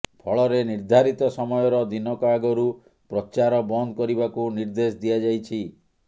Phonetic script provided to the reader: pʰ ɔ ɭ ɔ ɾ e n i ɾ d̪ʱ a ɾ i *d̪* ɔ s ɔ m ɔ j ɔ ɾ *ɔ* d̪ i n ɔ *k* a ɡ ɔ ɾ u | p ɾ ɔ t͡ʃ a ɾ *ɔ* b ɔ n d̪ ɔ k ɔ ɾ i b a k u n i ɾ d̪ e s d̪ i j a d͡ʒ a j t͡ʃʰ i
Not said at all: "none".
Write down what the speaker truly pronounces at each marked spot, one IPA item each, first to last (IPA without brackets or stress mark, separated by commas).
t̪, ɔ, k, ɔ